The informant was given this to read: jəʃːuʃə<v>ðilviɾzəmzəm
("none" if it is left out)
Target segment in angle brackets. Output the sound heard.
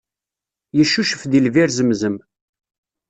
f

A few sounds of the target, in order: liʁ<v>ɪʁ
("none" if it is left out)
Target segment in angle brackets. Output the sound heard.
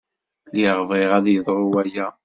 v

